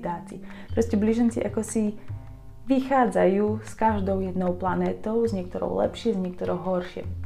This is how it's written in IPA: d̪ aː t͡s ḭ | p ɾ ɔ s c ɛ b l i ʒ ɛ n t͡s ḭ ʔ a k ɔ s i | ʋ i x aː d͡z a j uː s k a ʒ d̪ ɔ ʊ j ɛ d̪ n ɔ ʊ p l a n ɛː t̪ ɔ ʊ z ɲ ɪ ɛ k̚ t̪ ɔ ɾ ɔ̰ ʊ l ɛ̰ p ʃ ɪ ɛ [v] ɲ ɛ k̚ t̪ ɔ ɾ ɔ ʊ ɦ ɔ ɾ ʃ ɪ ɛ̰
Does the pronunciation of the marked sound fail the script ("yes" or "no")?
yes